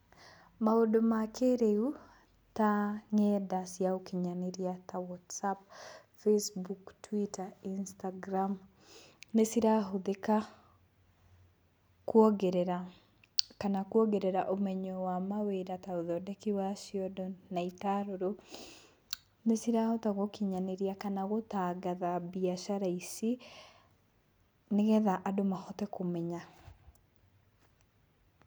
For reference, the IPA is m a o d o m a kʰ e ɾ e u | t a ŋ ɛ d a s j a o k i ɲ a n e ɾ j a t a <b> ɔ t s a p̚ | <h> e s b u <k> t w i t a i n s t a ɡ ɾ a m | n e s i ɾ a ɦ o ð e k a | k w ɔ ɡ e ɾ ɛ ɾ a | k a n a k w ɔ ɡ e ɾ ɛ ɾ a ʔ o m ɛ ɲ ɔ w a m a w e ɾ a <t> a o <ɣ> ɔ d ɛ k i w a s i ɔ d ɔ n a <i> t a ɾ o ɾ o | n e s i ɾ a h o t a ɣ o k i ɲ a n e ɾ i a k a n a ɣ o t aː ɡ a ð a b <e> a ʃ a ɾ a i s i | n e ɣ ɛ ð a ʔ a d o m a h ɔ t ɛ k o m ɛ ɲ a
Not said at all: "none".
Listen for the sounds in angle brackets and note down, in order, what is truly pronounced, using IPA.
w, f, k, t, ð, i, i

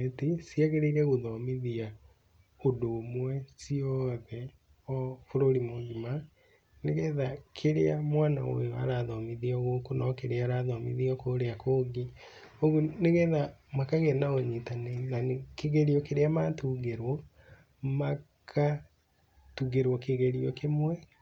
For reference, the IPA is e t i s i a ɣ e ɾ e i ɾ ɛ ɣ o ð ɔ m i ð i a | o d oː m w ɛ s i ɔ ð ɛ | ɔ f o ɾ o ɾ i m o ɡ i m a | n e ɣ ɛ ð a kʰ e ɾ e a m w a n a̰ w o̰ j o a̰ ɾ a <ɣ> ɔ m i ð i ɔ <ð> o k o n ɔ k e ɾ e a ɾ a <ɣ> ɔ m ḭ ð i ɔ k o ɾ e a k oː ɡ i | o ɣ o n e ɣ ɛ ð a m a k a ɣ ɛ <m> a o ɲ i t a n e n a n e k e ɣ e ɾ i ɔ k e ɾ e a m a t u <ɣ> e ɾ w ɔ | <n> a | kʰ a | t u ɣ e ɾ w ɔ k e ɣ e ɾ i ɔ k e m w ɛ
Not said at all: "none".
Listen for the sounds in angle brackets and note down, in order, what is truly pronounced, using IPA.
ð, ɣ, ð, n, ɣ, m

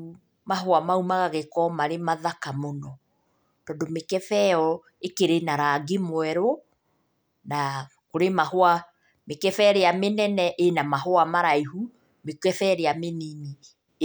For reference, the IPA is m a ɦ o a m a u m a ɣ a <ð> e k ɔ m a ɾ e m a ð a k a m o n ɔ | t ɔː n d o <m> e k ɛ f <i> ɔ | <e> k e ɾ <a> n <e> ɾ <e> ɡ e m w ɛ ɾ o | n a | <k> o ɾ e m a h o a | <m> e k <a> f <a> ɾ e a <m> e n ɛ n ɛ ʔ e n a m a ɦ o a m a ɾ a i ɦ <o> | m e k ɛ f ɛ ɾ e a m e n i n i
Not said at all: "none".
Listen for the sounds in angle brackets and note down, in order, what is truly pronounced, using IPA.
ɣ, m, ɛ, e, e, a, a, k, m, ɛ, ɛ, m, u

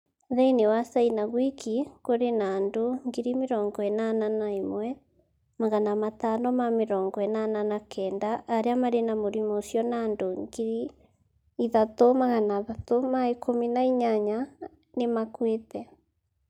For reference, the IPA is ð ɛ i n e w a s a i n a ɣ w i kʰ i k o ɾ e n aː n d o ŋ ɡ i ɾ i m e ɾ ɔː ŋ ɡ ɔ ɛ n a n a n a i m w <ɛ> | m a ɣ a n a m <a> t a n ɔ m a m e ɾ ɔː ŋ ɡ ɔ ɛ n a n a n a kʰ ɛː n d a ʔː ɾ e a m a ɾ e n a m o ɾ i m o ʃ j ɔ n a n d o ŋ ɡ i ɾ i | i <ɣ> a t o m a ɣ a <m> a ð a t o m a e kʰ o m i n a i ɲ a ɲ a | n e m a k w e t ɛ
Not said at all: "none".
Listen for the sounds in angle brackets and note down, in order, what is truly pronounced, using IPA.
ɛ, a, ð, n

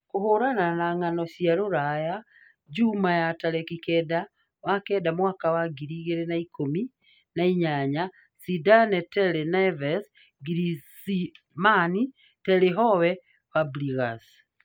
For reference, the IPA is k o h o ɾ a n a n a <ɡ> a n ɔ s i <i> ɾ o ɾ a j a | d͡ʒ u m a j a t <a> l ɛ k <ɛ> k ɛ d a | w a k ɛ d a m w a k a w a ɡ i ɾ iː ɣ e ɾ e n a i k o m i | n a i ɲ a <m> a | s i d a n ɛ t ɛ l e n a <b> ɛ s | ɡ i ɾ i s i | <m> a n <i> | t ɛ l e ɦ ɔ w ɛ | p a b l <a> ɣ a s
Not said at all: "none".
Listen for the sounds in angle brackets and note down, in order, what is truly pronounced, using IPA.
ŋ, a, a, i, ɲ, v, m, i, i

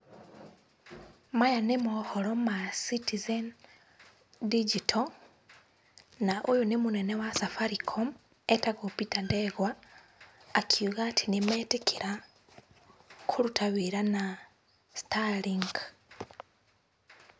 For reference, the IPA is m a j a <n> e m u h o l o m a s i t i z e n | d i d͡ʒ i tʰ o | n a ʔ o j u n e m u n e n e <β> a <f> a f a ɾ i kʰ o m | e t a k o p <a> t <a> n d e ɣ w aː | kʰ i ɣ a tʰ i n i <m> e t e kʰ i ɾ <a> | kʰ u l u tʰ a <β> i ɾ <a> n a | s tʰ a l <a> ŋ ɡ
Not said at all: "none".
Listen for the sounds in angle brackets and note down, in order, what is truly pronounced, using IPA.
n, w, s, i, a, m, a, β, a, i

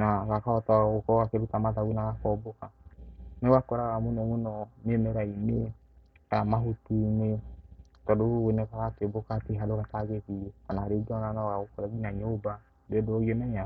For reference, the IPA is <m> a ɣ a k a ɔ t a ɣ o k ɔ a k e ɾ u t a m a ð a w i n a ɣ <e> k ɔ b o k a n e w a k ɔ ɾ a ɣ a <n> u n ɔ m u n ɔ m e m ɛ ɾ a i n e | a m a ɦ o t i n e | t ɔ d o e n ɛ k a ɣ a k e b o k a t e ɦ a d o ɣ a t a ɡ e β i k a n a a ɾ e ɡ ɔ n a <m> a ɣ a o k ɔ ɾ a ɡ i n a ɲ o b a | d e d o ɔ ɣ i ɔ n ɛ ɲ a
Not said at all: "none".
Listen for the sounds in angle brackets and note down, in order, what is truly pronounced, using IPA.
n, a, m, n

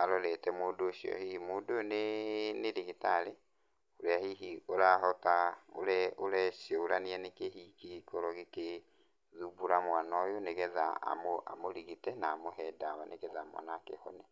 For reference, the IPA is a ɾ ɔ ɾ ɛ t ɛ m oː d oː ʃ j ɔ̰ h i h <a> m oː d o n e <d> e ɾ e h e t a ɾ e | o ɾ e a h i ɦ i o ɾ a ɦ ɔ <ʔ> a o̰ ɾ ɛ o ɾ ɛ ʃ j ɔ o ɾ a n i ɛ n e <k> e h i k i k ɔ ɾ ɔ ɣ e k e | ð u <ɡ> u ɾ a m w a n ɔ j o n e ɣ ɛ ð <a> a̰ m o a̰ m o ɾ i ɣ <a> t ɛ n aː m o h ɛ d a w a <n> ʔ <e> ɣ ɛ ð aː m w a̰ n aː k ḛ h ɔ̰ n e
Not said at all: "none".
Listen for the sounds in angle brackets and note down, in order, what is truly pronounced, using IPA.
i, n, t, k, b, a, i, n, e

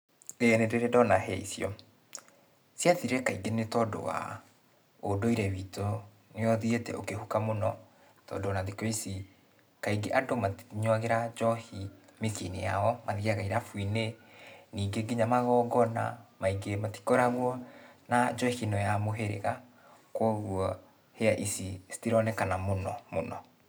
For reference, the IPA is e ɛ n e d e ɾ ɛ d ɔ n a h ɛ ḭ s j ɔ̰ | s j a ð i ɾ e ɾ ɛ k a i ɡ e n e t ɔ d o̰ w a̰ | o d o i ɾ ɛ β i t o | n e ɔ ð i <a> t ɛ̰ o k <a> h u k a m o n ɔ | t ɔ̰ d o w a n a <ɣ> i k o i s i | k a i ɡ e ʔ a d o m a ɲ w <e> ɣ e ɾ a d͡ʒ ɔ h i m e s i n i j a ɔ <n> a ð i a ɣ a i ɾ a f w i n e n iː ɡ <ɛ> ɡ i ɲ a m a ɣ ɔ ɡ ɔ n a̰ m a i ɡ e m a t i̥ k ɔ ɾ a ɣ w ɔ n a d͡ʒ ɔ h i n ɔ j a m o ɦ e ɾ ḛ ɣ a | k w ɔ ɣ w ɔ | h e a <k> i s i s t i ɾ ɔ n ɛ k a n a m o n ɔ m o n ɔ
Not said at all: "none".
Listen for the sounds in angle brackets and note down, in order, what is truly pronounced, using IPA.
e, e, ð, a, m, e, ʔ

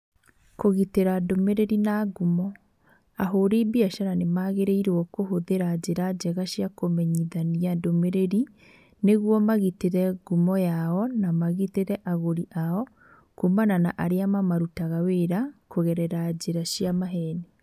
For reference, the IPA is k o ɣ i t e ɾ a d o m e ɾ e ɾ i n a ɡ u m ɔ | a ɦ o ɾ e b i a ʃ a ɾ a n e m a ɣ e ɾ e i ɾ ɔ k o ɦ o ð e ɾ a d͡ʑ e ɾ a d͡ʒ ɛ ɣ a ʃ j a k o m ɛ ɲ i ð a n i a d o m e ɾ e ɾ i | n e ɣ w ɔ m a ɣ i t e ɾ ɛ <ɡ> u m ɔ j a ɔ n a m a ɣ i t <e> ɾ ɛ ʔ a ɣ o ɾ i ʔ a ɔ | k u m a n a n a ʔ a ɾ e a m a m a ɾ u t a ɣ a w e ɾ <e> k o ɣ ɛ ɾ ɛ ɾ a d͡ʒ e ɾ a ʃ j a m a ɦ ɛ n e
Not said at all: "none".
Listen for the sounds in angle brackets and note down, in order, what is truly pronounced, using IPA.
ɡ, e, a

